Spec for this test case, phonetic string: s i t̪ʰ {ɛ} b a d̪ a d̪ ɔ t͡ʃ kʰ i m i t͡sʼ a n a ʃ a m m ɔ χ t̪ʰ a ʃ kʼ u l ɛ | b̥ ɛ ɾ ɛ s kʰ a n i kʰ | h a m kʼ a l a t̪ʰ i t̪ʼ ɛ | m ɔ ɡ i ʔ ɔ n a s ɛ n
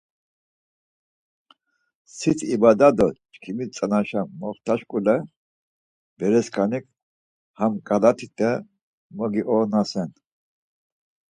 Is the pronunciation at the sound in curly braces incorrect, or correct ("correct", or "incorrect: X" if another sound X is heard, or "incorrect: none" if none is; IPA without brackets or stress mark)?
incorrect: i